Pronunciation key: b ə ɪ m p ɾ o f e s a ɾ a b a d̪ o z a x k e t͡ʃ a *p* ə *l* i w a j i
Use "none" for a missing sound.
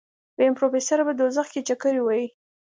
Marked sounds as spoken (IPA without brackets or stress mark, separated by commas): k, ɾ